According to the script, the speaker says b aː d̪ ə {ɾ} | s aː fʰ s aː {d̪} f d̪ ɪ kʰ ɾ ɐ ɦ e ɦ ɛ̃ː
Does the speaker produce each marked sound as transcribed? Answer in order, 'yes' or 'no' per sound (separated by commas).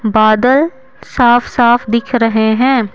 no, no